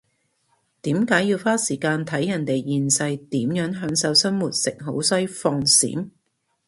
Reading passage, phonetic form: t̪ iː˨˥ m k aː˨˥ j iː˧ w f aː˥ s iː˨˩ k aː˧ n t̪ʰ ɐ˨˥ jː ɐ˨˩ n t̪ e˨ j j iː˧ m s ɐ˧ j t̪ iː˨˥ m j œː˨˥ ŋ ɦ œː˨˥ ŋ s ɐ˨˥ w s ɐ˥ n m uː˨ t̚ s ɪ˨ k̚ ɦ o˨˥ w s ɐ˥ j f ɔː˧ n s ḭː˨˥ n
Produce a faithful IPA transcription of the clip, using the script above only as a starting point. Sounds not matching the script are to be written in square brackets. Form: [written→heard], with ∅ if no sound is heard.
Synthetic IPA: t̪ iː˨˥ m k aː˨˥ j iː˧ w f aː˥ s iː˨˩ k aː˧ n t̪ʰ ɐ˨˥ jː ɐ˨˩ n t̪ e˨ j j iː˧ [m→n] s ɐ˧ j t̪ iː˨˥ m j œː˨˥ ŋ ɦ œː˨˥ ŋ s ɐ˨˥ w s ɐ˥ n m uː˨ t̚ s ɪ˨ k̚ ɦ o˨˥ w s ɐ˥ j f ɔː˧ [n→ŋ] s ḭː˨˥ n